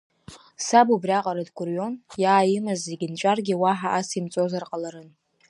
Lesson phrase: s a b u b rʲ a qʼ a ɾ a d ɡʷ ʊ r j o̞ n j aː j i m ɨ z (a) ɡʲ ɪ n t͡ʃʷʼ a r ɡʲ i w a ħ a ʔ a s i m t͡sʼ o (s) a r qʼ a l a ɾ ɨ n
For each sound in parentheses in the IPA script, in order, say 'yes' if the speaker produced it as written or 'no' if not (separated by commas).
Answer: no, no